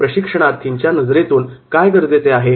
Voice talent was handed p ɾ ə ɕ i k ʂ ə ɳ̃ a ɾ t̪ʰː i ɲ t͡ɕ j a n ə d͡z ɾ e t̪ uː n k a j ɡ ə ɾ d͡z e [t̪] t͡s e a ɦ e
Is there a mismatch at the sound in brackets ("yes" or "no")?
yes